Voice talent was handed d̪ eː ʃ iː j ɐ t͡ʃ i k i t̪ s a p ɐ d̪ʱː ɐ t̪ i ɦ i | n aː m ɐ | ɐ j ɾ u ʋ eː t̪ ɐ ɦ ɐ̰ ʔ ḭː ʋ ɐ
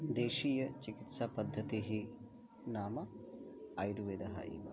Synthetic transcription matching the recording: d̪ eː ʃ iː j ɐ t͡ʃ i k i t̪ s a p ɐ d̪ʱː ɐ t̪ i ɦ i | n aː m ɐ | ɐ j ɾ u ʋ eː d̪ ɐ ɦ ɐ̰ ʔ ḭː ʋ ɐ